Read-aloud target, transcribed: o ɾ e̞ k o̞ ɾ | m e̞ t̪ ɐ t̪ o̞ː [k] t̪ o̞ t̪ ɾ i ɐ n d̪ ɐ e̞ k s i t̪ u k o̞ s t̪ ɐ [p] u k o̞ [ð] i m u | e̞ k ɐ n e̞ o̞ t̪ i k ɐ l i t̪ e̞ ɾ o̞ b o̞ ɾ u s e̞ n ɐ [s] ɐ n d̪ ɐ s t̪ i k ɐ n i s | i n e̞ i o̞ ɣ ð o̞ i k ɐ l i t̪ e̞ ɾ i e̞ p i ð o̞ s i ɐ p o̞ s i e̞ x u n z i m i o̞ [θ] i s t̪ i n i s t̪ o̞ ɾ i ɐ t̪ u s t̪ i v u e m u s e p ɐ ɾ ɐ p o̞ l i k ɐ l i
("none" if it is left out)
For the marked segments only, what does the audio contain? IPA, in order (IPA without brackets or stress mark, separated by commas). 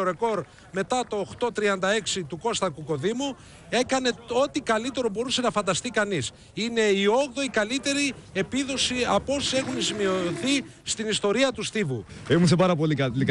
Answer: x, k, ð, f, θ